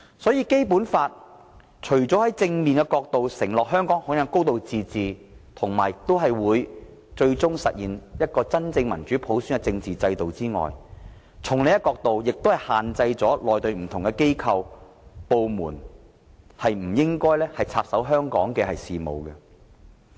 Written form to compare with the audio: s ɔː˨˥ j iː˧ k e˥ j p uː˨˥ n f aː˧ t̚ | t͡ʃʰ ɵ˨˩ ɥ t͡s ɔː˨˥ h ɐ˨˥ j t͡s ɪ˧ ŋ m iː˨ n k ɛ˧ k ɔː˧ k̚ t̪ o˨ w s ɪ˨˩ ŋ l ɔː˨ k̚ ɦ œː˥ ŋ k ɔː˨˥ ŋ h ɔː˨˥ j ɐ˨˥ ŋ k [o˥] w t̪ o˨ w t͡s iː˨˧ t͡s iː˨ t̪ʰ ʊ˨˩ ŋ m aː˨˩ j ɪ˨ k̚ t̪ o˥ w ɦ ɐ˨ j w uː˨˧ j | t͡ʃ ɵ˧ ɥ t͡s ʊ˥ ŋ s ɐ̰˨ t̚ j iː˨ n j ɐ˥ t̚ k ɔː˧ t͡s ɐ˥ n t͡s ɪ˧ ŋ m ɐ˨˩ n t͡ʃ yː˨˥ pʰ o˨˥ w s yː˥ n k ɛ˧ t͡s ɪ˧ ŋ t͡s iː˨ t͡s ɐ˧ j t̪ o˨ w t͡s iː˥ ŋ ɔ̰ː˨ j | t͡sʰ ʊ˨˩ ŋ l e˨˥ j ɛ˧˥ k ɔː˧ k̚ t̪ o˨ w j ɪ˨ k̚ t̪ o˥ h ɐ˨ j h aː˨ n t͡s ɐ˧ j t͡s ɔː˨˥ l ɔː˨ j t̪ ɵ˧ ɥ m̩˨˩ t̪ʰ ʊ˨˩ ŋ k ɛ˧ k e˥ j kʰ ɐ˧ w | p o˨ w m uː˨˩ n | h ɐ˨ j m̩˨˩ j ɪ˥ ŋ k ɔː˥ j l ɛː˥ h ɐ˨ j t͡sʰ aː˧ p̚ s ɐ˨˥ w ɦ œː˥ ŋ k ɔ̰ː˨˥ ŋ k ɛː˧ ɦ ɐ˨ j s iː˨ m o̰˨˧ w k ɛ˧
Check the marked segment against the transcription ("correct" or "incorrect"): correct